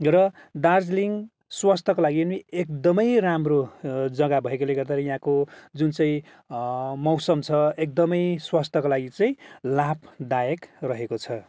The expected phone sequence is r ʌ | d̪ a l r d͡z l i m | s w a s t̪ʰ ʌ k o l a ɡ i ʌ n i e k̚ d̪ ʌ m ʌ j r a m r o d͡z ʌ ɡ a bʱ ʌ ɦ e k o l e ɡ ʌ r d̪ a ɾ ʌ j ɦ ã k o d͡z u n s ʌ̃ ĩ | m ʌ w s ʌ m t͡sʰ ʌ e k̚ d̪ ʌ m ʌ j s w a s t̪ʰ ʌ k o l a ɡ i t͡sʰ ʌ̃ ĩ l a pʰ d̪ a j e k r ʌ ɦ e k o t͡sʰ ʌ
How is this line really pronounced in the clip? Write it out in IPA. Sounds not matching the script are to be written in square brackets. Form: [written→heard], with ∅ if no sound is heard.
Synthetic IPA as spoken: r ʌ | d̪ a [l→∅] r d͡z l i [m→ŋ] | s w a s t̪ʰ ʌ k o l a ɡ i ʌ n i e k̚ d̪ ʌ m ʌ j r a m r o d͡z ʌ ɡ a bʱ ʌ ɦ e k o l e ɡ ʌ r d̪ a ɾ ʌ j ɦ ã k o d͡z u n [s→t͡s] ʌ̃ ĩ | m ʌ w s ʌ m t͡sʰ ʌ e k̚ d̪ ʌ m ʌ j s w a s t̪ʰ ʌ k o l a ɡ i [t͡sʰ→t͡s] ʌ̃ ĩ l a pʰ d̪ a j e k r ʌ ɦ e k o t͡sʰ ʌ